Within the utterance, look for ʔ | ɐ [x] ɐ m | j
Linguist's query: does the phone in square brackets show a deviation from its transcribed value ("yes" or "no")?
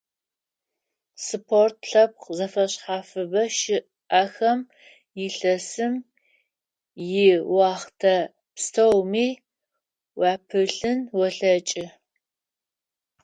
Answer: no